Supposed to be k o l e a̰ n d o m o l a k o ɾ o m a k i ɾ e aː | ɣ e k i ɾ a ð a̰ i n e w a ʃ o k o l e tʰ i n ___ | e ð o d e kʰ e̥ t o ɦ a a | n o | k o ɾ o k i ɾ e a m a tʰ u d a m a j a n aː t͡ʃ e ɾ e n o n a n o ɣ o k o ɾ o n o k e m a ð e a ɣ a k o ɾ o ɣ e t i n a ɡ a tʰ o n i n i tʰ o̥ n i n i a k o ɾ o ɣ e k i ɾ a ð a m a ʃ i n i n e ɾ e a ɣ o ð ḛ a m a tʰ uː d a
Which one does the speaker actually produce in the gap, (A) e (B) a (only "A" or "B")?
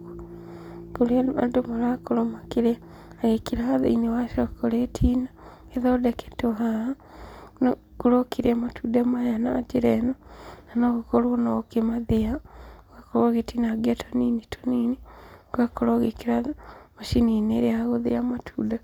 B